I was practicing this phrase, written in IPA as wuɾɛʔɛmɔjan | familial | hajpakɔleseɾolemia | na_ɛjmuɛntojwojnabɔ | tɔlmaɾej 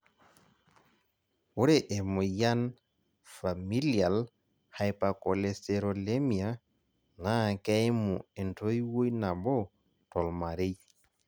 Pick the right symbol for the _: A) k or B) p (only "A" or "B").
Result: A